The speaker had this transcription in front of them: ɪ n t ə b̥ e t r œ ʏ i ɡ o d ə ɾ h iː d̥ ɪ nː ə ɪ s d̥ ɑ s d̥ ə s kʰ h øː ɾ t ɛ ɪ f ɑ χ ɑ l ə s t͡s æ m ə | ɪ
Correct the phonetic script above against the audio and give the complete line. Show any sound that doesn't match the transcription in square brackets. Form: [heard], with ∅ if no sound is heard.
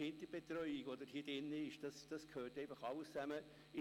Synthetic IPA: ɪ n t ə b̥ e t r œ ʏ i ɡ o d ə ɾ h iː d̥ ɪ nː ə ɪ [ʃ] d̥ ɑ s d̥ [ɑ] s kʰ h øː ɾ t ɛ ɪ f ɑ χ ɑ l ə s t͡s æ m ə | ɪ